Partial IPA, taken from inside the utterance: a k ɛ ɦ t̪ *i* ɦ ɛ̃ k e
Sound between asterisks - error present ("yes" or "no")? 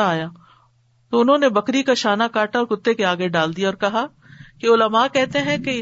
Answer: yes